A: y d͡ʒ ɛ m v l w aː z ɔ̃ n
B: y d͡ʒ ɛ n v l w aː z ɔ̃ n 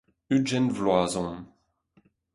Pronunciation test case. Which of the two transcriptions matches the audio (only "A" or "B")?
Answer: B